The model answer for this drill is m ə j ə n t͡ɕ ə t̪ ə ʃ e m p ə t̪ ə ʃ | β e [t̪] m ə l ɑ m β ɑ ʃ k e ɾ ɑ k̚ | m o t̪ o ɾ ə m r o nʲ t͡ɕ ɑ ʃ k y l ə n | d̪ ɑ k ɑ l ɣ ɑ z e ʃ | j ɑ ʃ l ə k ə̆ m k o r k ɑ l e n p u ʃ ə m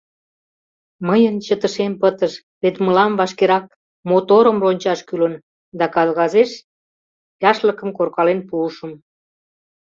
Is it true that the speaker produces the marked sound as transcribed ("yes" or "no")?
yes